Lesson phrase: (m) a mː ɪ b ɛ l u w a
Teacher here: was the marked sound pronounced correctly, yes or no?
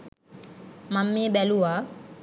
yes